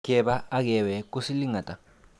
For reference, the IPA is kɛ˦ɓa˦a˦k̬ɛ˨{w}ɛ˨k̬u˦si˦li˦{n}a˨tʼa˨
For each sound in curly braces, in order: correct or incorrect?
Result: correct, incorrect: ŋ

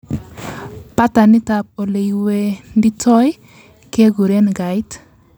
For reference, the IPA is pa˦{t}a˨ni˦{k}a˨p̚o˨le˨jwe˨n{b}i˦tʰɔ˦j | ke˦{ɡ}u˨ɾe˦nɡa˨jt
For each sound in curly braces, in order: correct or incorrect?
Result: correct, incorrect: t, incorrect: d, correct

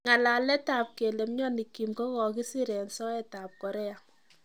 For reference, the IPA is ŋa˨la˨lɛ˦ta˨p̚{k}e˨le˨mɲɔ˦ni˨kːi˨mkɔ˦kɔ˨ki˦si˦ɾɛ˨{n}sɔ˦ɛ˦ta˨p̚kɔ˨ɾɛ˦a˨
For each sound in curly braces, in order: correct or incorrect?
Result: correct, correct

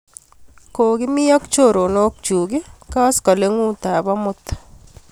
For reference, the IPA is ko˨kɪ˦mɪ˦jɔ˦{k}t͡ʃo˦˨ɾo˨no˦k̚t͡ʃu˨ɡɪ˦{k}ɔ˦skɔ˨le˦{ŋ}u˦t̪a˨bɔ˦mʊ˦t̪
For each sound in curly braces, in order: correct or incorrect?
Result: correct, correct, correct

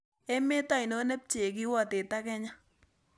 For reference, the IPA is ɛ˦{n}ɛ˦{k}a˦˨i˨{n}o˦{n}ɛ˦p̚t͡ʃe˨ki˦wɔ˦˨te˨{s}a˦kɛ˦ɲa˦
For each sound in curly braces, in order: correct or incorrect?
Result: incorrect: m, incorrect: t, correct, correct, incorrect: t

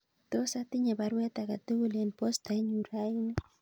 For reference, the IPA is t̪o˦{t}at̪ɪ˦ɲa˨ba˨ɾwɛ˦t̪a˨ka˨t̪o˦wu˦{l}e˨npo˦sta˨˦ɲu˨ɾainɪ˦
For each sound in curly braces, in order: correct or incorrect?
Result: incorrect: s, correct

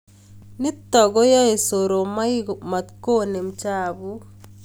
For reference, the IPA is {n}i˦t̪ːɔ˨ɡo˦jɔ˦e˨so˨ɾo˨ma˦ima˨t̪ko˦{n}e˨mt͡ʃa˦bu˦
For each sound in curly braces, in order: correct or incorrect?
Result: correct, correct

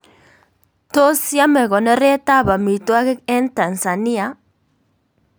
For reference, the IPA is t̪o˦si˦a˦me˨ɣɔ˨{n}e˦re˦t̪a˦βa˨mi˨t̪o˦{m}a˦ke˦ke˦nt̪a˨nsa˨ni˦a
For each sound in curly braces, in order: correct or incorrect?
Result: correct, incorrect: none

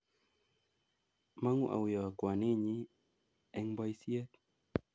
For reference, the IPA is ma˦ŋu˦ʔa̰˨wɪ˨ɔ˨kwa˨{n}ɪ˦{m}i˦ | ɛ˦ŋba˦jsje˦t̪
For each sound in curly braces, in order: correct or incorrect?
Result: correct, incorrect: ɲ

